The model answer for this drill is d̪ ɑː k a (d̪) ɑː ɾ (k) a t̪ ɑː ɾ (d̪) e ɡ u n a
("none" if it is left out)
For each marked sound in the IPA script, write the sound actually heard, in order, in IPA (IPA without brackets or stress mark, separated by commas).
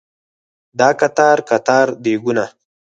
t̪, k, d̪